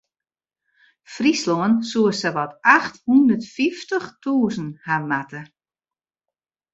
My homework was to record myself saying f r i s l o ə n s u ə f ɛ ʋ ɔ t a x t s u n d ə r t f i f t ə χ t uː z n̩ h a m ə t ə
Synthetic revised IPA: f r i s l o ə n s u ə s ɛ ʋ ɔ t a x t h u n d ə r t f i f t ə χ t uː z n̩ h a m a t ə